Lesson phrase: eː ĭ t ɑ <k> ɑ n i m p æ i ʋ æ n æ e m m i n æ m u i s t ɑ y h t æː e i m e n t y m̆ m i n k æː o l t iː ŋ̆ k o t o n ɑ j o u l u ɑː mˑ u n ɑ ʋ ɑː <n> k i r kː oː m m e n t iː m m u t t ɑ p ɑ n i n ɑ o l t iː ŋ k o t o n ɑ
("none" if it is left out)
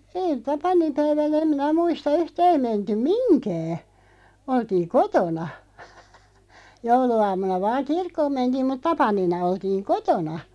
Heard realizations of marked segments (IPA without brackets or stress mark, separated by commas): p, ŋ